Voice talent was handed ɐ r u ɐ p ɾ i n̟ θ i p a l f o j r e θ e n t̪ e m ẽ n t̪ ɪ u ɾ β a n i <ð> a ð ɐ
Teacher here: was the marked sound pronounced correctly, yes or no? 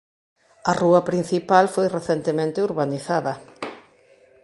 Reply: no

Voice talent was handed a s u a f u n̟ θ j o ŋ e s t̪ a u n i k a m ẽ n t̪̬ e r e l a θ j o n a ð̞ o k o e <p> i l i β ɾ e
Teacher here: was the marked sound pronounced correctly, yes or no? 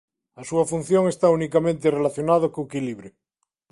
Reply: no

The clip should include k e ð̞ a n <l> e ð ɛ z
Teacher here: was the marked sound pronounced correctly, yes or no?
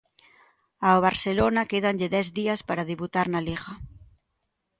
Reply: no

